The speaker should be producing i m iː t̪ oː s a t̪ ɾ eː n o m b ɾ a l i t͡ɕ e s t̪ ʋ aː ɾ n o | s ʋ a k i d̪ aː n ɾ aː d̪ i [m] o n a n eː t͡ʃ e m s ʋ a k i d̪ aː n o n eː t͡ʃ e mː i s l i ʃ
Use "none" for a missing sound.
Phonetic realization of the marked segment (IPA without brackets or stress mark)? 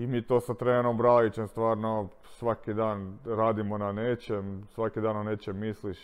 m